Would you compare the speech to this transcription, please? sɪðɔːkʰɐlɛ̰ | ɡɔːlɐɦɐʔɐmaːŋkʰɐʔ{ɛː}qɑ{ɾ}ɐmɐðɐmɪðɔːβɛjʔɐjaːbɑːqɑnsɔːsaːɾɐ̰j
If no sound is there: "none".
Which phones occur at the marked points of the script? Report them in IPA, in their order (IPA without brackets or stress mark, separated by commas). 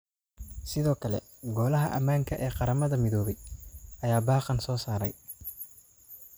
ɛː, ɾ